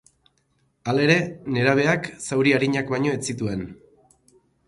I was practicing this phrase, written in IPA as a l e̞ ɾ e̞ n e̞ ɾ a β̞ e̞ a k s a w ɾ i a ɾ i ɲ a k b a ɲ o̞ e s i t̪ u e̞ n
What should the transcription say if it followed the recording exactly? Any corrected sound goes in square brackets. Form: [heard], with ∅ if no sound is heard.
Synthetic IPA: a l e̞ ɾ e̞ n e̞ ɾ a β̞ e̞ a k s a w ɾ i a ɾ i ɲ a k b a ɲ o̞ e [t͡s] i t̪ u e̞ n